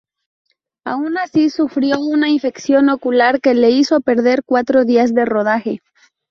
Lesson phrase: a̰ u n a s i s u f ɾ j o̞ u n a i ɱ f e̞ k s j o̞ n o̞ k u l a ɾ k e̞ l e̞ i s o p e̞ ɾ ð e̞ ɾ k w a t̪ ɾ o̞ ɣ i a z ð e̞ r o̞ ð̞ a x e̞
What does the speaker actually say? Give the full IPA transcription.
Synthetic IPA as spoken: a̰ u n a s i s u f ɾ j o̞ u n a i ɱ f e̞ k s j o̞ n o̞ k u l a ɾ k e̞ l e̞ i s o p e̞ ɾ ð e̞ ɾ k w a t̪ ɾ o̞ ð i a z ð e̞ r o̞ ð̞ a x e̞